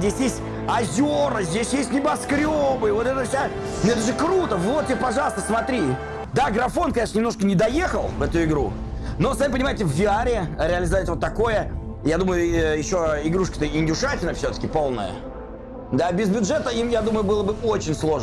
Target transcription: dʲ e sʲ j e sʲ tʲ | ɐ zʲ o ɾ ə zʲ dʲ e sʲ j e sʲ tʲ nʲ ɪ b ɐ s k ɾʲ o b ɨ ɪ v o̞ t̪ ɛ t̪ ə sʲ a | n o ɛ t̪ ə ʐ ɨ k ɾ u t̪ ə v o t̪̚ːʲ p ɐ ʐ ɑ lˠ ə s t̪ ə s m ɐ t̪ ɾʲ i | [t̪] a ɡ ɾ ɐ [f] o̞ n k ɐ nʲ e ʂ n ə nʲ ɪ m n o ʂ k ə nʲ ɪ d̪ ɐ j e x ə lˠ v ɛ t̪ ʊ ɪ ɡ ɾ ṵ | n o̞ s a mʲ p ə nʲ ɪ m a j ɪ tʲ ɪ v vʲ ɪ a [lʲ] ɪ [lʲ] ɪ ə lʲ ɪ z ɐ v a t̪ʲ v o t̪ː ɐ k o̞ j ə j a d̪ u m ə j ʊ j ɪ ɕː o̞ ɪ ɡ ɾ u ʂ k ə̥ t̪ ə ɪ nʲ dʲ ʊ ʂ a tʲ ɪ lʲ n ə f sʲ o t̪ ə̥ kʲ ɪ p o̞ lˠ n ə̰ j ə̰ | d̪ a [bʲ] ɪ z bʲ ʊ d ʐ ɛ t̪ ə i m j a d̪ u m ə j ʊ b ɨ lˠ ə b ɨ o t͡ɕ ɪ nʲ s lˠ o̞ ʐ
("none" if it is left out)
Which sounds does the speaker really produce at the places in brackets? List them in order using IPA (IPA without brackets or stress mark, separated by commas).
d̪, f, ɾʲ, ɾʲ, bʲ